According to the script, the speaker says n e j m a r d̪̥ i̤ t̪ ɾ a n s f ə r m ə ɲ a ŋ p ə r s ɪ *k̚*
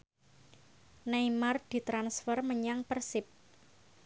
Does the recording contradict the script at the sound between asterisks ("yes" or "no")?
yes